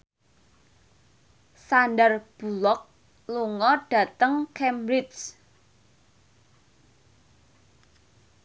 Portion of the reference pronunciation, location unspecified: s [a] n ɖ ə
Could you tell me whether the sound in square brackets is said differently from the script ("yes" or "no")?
no